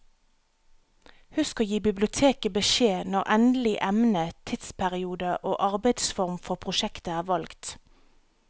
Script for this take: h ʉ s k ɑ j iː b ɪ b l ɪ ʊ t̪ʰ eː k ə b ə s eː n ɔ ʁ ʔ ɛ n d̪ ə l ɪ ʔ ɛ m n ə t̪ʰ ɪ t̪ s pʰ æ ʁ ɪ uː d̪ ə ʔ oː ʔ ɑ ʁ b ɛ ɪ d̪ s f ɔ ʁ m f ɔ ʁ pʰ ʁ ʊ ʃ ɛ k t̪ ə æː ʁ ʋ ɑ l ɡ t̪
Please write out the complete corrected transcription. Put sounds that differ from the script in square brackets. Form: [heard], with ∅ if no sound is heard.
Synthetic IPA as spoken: h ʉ s k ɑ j iː b ɪ b l ɪ ʊ t̪ʰ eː k ə b ə [ʃ] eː n ɔ ʁ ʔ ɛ n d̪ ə l ɪ ʔ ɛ m n ə t̪ʰ ɪ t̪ s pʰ æ ʁ ɪ uː d̪ ə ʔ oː ʔ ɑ ʁ b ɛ ɪ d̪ s f ɔ ʁ m f ɔ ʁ pʰ ʁ ʊ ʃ ɛ k t̪ ə æː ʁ ʋ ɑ l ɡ t̪